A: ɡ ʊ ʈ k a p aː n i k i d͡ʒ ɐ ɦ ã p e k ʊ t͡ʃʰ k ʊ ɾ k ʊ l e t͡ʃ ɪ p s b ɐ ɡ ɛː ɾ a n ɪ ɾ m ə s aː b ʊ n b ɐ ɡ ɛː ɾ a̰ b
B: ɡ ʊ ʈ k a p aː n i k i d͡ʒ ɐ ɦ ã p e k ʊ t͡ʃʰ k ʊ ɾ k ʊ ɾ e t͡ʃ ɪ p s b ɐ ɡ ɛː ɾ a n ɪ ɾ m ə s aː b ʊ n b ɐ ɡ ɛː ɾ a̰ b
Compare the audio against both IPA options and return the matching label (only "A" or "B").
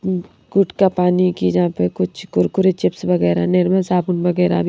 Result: B